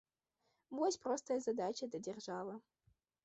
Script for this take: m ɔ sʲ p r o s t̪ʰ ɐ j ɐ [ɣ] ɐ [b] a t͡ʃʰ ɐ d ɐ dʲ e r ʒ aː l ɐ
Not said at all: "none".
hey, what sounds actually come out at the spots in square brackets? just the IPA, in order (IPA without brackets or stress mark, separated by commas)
z, d